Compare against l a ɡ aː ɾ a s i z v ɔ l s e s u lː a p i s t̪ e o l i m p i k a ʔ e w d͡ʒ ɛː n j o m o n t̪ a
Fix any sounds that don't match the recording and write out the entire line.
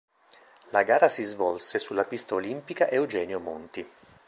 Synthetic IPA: l a ɡ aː ɾ a s i z v ɔ l s e s u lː a p i s t̪ a o l i m p i k a ʔ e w d͡ʒ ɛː n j o m o n t̪ i